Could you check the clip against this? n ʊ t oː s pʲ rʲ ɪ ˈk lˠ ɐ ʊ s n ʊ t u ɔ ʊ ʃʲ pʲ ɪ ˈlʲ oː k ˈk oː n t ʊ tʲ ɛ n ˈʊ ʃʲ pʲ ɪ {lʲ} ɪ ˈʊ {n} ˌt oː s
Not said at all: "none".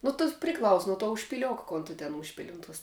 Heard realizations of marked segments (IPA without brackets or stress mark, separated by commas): lʲ, n